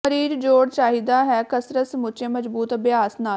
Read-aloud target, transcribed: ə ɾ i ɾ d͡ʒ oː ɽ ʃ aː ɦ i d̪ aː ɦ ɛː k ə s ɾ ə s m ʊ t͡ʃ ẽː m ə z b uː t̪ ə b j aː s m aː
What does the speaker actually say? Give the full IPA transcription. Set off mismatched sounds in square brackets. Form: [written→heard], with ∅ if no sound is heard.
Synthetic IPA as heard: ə ɾ [i→iː] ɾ d͡ʒ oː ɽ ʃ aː ɦ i d̪ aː ɦ ɛː k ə s ɾ ə s m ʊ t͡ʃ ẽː m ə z b uː t̪ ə b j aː s [m→n] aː